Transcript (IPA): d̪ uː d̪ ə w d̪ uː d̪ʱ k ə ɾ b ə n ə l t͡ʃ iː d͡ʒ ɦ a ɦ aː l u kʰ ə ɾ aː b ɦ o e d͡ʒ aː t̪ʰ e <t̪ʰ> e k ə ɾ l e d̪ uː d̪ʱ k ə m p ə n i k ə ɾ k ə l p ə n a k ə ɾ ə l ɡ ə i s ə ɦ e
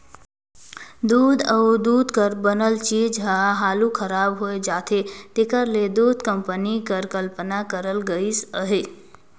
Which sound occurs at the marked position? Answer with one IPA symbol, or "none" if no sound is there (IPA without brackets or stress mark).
t̪